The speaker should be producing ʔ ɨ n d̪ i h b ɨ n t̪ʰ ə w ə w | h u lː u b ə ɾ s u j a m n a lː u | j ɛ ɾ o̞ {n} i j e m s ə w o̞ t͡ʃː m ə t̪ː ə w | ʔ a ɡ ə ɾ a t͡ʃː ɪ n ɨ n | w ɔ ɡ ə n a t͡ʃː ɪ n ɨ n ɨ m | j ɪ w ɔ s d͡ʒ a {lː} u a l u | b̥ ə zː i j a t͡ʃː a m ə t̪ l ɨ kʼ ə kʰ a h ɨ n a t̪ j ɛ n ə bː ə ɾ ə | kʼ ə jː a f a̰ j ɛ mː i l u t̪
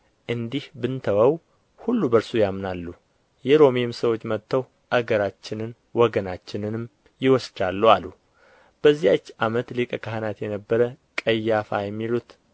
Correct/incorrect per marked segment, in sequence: incorrect, correct

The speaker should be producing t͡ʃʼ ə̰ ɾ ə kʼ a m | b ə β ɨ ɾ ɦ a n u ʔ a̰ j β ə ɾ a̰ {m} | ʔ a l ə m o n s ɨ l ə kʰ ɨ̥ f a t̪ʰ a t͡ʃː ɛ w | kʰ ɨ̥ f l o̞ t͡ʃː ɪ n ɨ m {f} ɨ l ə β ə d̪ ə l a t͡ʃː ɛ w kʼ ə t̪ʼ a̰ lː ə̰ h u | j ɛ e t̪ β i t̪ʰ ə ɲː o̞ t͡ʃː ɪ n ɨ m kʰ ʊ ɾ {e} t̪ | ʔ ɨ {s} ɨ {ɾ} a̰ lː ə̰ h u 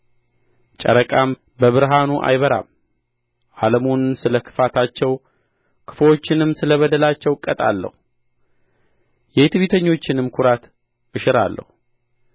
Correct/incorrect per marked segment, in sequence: correct, incorrect, incorrect, incorrect, correct

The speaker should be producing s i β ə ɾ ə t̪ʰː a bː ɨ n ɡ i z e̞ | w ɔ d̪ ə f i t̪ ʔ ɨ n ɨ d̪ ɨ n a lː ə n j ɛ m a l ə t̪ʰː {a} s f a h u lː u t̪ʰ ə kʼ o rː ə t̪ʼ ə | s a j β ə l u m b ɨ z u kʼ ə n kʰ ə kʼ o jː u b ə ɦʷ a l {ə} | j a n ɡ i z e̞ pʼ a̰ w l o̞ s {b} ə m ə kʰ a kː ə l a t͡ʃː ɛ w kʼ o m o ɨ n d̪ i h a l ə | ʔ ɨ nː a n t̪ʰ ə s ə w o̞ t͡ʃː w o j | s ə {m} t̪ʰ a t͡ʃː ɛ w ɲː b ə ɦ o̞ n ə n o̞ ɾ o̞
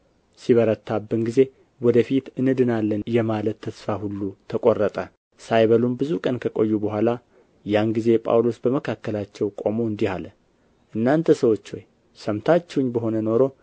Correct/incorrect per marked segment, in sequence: incorrect, incorrect, correct, correct

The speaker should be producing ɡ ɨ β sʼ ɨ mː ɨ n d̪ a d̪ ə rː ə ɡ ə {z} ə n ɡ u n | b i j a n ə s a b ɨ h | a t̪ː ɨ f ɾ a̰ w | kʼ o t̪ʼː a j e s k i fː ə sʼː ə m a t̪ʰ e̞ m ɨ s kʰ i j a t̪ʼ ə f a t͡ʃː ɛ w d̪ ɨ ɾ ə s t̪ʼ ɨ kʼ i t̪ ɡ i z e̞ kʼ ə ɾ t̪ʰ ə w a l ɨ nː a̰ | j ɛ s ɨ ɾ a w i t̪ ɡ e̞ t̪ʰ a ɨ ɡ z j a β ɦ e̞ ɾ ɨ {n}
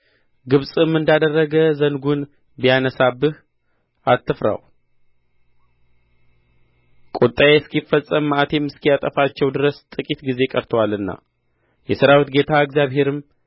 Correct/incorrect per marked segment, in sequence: correct, incorrect

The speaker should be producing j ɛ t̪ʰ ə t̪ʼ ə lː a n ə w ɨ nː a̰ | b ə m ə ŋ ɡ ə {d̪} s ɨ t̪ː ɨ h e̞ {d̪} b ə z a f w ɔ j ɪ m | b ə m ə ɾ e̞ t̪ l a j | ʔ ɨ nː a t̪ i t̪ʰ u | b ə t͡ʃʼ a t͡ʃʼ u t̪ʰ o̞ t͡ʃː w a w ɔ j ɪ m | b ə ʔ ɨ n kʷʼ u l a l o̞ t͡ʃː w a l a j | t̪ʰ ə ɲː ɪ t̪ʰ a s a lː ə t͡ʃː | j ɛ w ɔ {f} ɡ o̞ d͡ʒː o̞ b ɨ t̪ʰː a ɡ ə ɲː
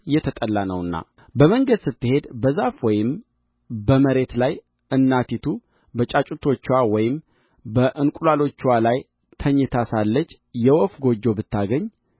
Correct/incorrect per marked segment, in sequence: correct, correct, correct

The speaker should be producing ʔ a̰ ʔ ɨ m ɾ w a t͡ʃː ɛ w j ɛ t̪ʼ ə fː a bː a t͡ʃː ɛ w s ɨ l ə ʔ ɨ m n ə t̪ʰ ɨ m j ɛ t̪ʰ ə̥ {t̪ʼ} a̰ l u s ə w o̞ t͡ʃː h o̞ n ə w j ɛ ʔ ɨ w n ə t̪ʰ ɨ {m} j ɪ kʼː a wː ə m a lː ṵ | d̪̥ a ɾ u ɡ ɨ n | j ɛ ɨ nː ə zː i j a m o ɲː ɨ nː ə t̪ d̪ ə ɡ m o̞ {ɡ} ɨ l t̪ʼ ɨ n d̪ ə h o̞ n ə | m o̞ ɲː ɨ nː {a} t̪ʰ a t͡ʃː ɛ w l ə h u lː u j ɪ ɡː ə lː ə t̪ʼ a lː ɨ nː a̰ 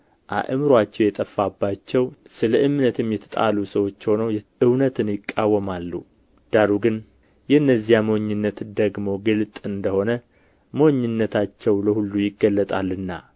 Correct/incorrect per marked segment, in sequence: correct, incorrect, correct, incorrect

